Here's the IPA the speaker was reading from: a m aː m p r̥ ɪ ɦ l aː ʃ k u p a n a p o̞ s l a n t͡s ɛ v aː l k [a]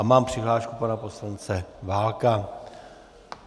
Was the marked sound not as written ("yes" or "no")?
no